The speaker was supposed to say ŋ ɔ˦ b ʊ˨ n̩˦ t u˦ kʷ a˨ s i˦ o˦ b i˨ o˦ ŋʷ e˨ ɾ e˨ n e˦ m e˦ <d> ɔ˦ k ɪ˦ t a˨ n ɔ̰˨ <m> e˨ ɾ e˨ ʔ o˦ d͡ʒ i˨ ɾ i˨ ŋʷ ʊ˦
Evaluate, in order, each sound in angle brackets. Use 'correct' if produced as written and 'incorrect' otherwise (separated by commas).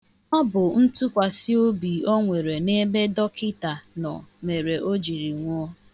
correct, correct